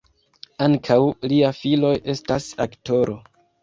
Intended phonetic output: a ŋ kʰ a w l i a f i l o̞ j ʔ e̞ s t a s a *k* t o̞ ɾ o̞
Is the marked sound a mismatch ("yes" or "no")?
no